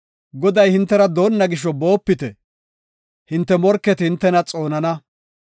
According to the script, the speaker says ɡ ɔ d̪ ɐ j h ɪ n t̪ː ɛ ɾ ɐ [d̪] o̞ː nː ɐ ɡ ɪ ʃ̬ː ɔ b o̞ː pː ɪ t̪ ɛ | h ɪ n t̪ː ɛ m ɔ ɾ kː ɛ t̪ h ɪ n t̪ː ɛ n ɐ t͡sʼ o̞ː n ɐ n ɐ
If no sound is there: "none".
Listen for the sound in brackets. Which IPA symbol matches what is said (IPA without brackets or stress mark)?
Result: d̪